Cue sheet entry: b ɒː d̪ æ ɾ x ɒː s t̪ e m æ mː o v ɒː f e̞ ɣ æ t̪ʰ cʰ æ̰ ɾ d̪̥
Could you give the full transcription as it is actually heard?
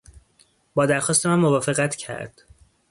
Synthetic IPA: b ɒː d̪ æ ɾ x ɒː s t̪ e m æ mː o v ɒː f e̞ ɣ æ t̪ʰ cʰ æ̰ ɾ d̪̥